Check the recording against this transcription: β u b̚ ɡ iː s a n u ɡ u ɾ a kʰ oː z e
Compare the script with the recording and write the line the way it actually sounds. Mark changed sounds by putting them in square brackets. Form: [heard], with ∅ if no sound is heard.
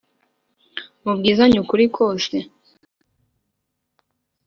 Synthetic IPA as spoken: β u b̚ ɡ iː [z] a [ɲ] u [k] u ɾ [i] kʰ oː [s] e